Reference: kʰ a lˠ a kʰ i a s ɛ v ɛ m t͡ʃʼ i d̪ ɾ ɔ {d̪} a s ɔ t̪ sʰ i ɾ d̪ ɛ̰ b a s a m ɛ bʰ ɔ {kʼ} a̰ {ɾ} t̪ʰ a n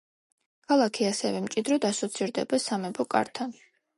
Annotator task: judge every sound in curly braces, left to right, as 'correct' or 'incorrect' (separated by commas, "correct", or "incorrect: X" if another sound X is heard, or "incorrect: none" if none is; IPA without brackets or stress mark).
correct, correct, correct